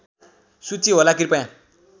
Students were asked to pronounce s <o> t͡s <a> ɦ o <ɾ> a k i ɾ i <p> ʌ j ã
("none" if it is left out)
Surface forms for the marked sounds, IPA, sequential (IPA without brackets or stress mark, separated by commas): u, i, l, p